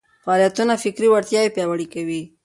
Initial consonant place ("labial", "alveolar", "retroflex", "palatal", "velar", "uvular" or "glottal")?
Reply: labial